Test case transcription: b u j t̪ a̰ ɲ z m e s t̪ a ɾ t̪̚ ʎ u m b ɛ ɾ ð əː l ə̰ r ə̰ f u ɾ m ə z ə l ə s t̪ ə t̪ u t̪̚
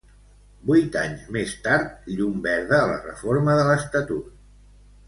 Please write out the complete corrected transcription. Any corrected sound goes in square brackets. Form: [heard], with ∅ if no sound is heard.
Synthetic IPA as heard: b u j t̪ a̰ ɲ z m e s t̪ a ɾ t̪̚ ʎ u m b ɛ ɾ ð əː l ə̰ r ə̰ f [o] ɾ m ə [ð] ə l ə s t̪ ə t̪ u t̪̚